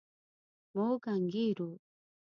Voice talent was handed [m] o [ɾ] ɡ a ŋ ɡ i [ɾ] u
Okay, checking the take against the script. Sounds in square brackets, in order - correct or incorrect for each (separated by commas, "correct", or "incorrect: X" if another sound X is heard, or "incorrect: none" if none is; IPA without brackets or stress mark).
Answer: correct, incorrect: none, correct